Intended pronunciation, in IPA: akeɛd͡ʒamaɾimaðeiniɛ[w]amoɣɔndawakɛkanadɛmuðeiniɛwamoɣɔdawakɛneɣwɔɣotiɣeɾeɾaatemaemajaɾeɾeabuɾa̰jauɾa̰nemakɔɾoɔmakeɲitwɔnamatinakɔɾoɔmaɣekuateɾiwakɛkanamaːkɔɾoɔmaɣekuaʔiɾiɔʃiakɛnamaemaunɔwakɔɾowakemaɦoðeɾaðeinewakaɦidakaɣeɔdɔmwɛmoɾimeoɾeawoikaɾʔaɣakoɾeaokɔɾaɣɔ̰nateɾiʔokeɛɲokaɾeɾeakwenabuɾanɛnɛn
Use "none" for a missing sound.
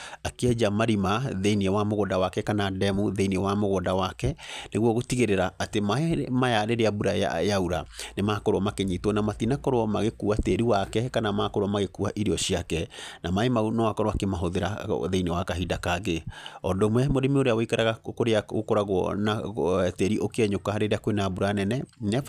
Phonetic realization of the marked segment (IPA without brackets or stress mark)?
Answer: w